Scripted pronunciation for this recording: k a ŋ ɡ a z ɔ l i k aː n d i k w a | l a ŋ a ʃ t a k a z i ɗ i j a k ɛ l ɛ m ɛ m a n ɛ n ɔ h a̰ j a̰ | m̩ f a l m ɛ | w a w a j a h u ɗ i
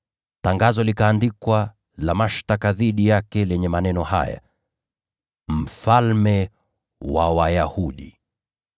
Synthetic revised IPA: t a ŋ ɡ a z ɔ l i k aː n d i k w a | l a m a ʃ t a k a ð i ɗ i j a k ɛ l ɛ ɲ ɛ m a n ɛ n ɔ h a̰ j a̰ | m̩ f a l m ɛ | w a w a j a h u ɗ i